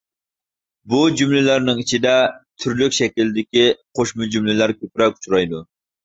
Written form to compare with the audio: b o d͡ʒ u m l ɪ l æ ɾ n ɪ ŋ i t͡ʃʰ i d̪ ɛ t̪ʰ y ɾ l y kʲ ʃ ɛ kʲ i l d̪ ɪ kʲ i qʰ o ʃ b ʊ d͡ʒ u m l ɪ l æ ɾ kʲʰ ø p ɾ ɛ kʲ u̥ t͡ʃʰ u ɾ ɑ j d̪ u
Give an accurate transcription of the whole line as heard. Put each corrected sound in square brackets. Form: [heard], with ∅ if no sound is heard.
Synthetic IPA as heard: b [u] d͡ʒ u m l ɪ l æ ɾ n ɪ ŋ i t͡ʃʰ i d̪ ɛ t̪ʰ y ɾ l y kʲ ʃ ɛ kʲ i l d̪ ɪ kʲ i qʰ o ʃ [m] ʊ d͡ʒ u m l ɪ l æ ɾ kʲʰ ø p ɾ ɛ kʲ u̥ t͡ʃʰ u ɾ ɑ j d̪ u